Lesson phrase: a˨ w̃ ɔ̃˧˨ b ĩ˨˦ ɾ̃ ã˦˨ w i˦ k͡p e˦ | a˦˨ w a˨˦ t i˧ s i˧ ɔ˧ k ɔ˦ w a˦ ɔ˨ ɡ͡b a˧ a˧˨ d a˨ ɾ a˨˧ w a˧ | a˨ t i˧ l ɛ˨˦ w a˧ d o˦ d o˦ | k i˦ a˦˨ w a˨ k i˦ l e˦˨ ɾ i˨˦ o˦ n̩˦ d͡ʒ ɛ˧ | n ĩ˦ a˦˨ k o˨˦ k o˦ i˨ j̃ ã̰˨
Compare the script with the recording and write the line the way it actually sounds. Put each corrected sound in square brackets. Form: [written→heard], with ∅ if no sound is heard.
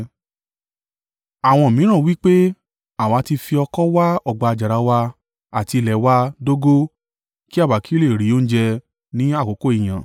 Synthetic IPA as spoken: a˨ w̃ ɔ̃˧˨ [b→m] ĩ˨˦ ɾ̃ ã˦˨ w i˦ k͡p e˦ | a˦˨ w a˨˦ t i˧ [s→f] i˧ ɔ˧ k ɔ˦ w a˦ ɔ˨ ɡ͡b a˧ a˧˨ [d→d͡ʒ] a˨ ɾ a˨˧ w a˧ | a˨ t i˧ l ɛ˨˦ w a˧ d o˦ [d→ɡ] o˦ | k i˦ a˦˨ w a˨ k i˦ l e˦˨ ɾ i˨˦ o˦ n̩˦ d͡ʒ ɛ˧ | n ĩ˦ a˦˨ k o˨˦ k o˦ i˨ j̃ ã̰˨

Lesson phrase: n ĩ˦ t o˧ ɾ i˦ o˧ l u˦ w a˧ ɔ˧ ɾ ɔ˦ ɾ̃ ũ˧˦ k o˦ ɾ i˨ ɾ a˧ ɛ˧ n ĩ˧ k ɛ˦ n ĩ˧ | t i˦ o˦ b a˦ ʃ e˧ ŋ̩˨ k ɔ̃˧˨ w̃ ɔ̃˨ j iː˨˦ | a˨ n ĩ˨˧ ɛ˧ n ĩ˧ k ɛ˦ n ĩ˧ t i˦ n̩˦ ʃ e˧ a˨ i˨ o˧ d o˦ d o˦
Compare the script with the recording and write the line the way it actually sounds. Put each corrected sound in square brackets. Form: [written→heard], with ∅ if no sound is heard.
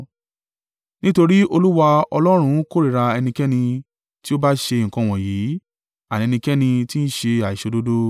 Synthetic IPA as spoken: n ĩ˦ t o˧ ɾ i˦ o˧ l u˦ w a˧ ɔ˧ [ɾ→l] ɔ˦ ɾ̃ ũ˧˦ k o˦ ɾ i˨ ɾ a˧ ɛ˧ n ĩ˧ k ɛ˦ n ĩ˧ | t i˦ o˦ b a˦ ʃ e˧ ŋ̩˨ k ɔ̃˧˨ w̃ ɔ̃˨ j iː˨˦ | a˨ n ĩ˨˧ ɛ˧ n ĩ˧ k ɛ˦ n ĩ˧ t i˦ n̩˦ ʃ e˧ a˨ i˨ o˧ d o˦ d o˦

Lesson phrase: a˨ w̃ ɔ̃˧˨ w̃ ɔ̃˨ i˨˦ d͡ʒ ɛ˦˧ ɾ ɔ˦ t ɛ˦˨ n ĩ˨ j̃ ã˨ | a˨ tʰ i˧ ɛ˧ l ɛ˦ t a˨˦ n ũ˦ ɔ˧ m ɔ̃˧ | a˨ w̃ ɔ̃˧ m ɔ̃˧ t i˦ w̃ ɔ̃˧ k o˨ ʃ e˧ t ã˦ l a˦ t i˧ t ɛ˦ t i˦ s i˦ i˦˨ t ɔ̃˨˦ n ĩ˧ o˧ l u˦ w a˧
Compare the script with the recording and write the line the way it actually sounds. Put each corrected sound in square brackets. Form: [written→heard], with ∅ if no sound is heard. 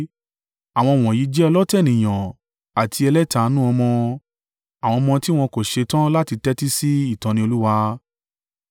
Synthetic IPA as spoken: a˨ w̃ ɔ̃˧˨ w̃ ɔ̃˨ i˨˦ d͡ʒ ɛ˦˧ [ɾ→l] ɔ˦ t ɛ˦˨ n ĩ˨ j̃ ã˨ | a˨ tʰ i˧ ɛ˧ l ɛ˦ t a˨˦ n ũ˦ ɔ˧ m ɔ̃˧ | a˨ w̃ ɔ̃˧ m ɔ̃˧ t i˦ w̃ ɔ̃˧ k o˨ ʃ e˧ t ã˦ l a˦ t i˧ t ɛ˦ t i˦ s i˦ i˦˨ t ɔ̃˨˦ n ĩ˧ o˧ l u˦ w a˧

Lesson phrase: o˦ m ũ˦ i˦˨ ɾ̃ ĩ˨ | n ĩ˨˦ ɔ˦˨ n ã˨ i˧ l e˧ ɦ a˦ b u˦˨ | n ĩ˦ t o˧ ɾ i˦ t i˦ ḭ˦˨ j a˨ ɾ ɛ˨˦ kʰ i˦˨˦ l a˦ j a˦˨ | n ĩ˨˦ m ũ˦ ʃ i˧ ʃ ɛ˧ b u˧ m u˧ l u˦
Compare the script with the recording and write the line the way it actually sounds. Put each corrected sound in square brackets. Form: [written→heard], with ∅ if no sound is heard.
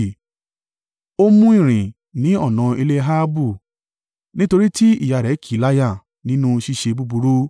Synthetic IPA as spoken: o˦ m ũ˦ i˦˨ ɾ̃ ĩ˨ | n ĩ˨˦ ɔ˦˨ n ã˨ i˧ l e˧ ɦ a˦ b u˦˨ | n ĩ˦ t o˧ ɾ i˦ t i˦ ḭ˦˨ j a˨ ɾ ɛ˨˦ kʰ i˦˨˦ l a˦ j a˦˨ | n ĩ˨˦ [m→n] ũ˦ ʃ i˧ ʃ [ɛ˧→e˧] b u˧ [m→b] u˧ [l→ɾ] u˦

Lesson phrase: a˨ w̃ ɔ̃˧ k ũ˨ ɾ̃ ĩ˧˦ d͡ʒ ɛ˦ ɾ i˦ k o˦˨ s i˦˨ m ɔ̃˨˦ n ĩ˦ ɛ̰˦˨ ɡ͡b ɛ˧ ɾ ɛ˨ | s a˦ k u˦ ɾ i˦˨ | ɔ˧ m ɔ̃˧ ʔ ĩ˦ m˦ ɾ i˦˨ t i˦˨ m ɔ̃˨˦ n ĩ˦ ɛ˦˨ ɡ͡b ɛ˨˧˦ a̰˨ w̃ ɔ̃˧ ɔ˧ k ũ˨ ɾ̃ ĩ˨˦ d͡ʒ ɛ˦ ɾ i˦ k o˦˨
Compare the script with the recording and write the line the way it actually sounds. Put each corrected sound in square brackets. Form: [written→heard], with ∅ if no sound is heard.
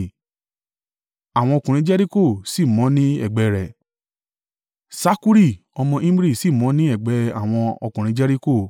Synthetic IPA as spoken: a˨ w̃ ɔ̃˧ k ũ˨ ɾ̃ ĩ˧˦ d͡ʒ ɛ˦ ɾ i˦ k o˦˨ s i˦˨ m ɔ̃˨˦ n ĩ˦ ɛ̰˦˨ ɡ͡b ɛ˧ ɾ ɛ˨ | s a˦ k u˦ ɾ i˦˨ | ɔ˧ m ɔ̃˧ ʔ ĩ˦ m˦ ɾ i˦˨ [t→s] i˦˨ m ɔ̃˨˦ n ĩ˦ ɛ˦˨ ɡ͡b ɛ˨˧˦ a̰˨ w̃ ɔ̃˧ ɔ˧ k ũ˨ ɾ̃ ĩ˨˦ d͡ʒ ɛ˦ ɾ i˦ k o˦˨

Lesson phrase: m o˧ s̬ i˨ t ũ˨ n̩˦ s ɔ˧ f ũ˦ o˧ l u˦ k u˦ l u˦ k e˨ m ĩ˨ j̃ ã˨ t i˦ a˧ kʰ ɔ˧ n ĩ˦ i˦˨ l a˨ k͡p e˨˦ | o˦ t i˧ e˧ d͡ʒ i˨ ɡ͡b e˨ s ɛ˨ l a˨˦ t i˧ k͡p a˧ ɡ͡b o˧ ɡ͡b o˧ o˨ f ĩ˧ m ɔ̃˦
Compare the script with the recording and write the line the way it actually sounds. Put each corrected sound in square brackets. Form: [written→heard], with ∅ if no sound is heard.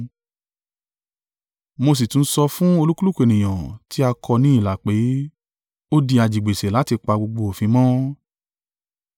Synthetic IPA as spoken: m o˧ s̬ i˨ t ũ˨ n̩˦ s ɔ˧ f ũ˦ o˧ l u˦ k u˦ l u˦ k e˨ [m→n] ĩ˨ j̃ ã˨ t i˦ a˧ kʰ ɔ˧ n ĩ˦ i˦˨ l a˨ k͡p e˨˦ | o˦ [t→d] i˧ [e˧→a˧] d͡ʒ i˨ ɡ͡b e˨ s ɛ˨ l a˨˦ t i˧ k͡p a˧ ɡ͡b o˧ ɡ͡b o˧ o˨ f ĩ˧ m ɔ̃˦

